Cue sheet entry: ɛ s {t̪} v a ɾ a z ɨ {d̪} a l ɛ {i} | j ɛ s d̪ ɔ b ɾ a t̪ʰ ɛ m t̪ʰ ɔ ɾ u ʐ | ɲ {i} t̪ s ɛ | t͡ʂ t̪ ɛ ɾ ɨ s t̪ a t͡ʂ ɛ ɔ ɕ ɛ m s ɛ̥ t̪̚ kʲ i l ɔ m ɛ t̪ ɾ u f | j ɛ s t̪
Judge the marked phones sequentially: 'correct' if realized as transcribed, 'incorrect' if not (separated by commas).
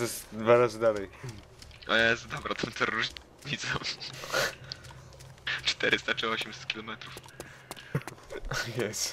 incorrect, correct, incorrect, correct